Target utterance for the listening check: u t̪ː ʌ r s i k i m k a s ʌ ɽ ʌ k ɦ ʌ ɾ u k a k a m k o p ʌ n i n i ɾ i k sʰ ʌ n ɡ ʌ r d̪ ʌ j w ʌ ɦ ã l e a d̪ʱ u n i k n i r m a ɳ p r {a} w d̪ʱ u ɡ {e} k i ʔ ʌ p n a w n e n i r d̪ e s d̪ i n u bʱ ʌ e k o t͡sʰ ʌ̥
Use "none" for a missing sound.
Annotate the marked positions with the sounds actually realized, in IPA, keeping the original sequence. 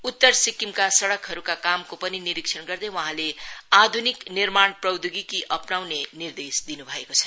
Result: ʌ, i

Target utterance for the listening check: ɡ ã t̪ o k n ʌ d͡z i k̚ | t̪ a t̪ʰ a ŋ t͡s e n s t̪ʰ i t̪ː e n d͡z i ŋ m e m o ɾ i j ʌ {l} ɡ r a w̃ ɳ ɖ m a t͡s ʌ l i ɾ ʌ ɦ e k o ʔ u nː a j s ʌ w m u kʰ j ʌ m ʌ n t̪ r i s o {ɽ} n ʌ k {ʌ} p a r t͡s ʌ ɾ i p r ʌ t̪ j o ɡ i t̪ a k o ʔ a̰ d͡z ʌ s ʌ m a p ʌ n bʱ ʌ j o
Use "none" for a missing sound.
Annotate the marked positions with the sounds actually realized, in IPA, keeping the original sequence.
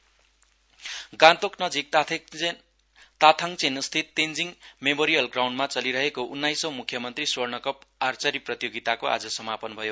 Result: l, r, ʌ

